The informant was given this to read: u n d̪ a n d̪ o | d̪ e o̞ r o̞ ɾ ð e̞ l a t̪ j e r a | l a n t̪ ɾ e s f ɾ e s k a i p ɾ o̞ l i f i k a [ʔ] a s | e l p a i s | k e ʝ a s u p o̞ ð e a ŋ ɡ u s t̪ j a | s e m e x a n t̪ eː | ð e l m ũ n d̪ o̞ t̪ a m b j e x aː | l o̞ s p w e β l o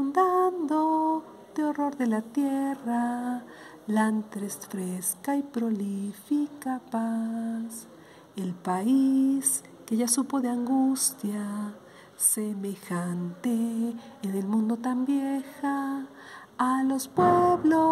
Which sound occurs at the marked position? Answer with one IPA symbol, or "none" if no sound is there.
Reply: p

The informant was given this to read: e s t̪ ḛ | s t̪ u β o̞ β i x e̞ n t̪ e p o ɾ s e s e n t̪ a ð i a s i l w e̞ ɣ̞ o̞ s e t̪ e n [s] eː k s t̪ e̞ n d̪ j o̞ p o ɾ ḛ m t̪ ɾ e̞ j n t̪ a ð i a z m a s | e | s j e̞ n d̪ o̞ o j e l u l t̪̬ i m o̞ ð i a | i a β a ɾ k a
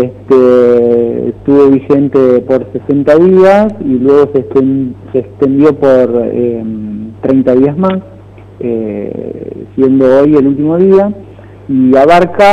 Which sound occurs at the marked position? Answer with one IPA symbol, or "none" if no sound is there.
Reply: s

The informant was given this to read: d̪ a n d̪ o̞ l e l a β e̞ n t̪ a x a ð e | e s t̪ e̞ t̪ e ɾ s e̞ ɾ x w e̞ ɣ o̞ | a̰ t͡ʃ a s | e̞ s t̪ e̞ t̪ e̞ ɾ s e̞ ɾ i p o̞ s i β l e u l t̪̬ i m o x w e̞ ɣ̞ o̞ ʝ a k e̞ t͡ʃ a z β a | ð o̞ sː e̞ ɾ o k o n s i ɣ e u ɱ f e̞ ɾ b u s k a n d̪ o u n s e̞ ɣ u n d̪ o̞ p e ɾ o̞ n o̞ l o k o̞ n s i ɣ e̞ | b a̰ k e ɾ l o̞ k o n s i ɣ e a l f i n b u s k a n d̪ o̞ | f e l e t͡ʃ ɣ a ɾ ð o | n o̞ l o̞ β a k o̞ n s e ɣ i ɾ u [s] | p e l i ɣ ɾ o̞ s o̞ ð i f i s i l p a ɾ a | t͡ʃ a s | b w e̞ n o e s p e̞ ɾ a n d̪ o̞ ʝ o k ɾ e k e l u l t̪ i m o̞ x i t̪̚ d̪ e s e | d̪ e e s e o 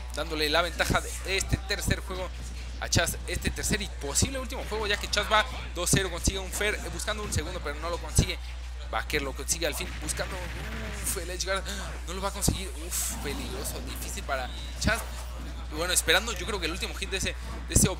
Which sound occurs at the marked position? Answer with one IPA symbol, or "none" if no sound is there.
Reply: f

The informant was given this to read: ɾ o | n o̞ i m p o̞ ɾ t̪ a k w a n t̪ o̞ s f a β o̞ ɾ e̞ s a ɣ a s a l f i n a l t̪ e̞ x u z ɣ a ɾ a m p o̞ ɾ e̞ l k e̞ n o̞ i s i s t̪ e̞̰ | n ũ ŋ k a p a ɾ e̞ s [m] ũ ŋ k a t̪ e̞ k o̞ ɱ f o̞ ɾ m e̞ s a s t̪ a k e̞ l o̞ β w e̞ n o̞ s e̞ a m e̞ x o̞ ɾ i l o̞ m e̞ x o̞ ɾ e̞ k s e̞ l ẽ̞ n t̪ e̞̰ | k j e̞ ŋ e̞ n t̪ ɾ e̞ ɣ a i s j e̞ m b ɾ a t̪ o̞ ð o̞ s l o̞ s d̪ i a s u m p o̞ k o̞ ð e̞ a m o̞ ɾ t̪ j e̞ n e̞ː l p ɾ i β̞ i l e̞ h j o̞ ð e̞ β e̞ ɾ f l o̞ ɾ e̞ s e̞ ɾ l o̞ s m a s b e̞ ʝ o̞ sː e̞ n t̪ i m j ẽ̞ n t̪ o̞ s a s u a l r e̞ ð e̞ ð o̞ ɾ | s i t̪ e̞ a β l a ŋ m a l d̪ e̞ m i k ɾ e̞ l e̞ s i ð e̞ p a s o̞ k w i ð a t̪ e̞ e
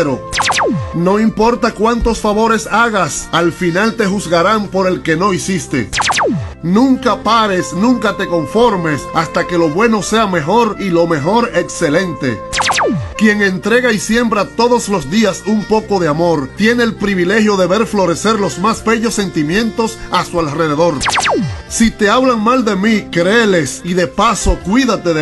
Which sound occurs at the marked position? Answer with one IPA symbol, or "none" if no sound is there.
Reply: n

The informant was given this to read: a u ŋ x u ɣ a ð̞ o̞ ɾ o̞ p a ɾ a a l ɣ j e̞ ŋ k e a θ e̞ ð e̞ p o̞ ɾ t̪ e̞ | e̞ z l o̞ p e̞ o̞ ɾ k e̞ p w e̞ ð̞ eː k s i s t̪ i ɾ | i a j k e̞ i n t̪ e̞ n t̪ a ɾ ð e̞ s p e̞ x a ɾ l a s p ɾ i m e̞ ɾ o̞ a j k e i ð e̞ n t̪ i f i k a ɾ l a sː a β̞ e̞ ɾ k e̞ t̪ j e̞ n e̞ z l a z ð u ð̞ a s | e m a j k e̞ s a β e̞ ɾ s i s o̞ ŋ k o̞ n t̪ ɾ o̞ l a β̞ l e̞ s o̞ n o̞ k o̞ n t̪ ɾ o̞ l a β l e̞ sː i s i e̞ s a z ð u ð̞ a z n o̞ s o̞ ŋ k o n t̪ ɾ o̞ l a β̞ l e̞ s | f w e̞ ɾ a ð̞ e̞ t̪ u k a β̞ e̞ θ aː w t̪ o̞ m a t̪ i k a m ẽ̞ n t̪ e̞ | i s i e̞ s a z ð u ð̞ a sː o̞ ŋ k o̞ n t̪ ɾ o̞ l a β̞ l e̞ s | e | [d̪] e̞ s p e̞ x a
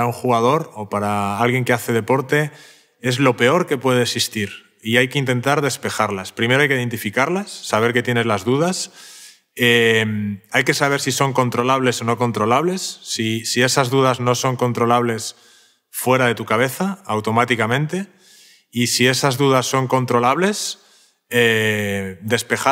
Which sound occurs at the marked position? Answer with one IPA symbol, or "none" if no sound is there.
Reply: d̪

